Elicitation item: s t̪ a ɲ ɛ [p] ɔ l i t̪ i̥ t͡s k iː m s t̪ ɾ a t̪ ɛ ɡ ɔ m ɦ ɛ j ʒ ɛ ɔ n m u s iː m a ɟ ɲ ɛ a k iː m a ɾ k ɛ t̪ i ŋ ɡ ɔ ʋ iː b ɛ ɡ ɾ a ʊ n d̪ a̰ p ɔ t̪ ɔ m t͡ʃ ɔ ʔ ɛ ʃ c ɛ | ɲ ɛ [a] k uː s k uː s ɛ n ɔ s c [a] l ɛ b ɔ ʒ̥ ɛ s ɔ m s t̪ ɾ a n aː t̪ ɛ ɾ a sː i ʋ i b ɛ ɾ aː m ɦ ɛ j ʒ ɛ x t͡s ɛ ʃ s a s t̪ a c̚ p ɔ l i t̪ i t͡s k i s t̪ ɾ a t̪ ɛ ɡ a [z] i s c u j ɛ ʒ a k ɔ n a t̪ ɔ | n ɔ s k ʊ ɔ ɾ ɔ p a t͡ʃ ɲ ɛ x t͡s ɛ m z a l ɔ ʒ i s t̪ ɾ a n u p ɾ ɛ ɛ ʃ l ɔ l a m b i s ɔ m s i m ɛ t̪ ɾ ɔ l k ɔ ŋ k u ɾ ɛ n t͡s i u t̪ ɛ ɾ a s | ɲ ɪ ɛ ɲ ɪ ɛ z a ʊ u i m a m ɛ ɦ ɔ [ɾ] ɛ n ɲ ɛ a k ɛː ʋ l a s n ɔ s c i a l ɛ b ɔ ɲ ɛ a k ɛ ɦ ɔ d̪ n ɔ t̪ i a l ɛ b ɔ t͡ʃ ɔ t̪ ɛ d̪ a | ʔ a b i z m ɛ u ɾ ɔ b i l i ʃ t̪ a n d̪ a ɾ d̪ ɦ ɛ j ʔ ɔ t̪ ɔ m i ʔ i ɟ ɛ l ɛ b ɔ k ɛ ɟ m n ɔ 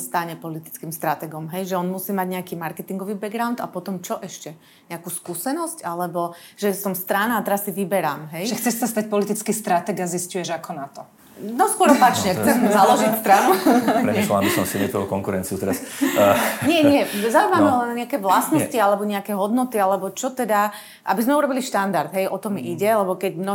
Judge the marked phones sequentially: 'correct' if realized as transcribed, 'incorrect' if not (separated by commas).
correct, correct, correct, correct, incorrect